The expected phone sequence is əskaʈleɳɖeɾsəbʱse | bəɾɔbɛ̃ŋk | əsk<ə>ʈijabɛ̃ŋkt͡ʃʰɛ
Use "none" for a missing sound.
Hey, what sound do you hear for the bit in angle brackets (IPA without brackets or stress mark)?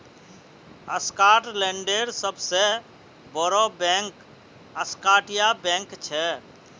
a